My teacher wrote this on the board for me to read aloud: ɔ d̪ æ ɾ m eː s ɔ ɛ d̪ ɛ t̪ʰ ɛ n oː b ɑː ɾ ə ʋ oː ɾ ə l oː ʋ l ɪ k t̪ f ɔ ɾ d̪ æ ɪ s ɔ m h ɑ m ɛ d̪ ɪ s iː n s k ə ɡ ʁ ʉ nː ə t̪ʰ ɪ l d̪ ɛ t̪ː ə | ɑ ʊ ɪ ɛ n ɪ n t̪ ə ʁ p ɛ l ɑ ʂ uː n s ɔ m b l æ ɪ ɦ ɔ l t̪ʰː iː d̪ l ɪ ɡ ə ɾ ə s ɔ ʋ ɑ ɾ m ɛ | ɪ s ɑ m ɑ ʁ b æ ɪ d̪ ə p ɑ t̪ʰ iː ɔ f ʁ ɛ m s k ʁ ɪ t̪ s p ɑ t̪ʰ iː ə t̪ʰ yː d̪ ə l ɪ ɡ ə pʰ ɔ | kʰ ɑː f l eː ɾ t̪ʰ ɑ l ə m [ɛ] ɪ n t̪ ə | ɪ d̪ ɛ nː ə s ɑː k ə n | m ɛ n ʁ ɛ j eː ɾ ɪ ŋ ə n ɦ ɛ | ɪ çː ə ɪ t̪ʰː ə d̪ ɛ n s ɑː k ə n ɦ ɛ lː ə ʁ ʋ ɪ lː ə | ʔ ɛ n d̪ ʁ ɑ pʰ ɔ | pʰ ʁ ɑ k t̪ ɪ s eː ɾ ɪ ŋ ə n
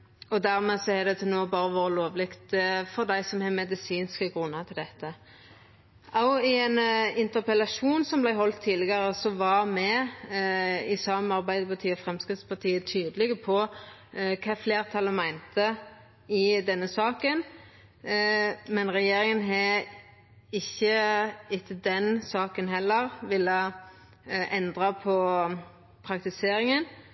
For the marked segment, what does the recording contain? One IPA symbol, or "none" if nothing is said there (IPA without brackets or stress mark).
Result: æ